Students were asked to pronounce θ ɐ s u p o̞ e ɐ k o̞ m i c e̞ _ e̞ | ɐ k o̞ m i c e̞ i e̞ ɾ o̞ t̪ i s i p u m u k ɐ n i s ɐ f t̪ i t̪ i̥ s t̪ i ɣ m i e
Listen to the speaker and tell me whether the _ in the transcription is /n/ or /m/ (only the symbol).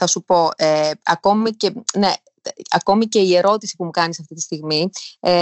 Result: n